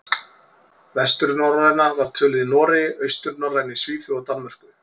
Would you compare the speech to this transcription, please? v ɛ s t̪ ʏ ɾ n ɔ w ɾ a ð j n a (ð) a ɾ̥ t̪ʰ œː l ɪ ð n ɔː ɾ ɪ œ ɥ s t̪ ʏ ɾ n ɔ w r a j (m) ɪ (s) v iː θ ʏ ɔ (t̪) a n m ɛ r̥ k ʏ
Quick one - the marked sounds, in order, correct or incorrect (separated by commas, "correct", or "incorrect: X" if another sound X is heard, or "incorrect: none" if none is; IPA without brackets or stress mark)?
incorrect: v, incorrect: n, correct, correct